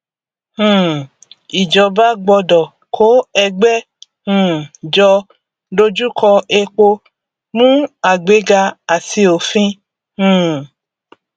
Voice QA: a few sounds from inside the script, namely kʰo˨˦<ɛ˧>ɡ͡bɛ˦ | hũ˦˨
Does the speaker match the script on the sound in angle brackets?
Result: yes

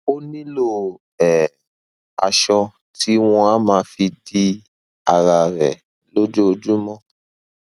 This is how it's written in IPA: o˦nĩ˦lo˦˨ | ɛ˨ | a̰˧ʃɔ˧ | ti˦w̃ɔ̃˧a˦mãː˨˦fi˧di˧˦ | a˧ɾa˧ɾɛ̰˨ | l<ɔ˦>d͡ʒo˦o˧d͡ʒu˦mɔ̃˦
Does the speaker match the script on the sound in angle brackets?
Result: no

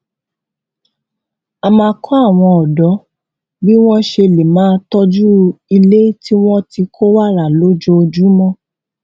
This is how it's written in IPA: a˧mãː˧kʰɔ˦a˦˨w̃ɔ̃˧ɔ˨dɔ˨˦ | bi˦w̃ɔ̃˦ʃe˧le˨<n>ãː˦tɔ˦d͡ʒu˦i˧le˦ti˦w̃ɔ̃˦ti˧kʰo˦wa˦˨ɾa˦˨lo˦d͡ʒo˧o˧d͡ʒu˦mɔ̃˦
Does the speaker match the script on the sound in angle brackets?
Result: no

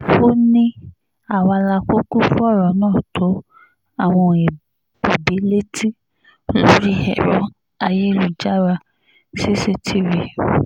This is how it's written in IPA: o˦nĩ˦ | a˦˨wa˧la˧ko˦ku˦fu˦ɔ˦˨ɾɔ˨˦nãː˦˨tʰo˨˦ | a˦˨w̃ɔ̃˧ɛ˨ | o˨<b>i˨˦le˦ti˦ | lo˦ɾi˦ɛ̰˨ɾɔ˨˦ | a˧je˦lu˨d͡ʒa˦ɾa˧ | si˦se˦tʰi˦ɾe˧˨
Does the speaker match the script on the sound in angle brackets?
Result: yes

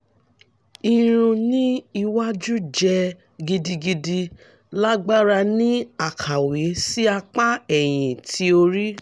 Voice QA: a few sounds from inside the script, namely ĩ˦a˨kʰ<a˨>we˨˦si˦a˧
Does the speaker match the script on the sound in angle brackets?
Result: yes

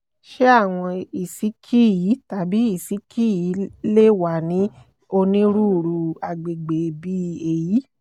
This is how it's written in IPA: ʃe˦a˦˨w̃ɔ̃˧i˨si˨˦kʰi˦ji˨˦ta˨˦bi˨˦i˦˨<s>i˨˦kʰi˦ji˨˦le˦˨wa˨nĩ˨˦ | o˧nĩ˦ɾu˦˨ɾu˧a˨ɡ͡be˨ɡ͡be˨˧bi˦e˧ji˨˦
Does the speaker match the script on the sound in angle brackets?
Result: yes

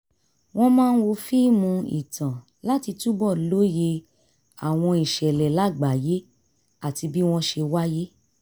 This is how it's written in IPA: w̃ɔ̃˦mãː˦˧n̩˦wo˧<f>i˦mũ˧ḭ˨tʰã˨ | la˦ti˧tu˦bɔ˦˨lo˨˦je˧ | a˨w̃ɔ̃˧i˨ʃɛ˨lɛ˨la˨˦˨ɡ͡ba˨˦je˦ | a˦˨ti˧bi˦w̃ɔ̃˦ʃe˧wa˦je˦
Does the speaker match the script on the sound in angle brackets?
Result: yes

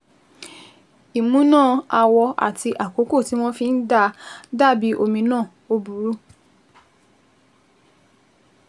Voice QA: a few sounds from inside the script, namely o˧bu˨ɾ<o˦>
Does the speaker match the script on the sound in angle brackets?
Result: no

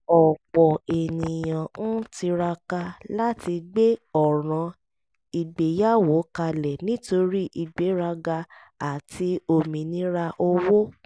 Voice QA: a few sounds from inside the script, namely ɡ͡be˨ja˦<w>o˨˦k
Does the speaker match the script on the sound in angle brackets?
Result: yes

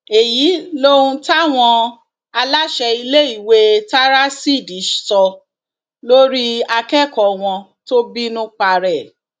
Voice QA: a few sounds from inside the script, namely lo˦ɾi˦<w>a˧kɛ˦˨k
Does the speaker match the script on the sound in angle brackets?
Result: no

